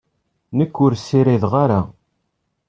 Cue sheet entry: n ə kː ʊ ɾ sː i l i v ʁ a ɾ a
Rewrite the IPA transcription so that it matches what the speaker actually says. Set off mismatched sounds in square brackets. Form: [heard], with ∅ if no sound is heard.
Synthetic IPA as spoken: n ə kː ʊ ɾ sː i [ɾ] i [ð] ʁ a ɾ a